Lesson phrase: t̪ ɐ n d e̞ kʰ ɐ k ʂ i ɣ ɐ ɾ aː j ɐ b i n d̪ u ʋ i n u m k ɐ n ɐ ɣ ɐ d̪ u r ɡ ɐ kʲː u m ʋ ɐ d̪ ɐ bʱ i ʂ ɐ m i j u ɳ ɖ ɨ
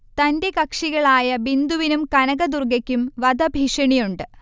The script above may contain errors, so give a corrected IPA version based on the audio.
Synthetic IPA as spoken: t̪ ɐ n d e̞ k ɐ k ʂ i ɣ ɐ ɭ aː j ɐ b i n d̪ u ʋ i n u m k ɐ n ɐ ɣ ɐ d̪ u r ɡ ɐ kʲː u m ʋ ɐ d̪ ɐ bʱ i ʂ ɐ ɳ i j u ɳ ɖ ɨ